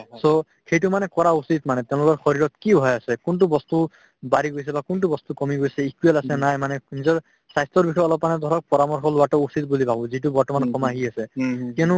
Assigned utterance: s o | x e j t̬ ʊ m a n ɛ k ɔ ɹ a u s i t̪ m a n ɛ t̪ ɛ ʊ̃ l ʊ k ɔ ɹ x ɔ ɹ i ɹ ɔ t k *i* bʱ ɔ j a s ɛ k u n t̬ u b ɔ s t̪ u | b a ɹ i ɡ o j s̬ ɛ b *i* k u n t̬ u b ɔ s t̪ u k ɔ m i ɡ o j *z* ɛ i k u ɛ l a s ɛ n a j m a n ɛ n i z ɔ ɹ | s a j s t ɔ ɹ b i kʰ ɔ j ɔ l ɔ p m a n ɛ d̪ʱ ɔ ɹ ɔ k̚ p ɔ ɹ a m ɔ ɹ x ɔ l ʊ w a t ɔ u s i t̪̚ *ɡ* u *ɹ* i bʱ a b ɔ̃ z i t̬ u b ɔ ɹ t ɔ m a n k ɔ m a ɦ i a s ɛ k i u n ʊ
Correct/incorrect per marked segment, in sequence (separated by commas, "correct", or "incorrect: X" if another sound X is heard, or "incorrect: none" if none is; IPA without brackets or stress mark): correct, incorrect: a, incorrect: s, incorrect: b, incorrect: l